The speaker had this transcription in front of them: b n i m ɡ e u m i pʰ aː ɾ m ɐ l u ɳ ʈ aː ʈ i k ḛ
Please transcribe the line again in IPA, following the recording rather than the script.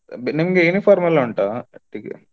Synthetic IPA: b n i m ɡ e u n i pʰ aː ɾ m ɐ l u ɳ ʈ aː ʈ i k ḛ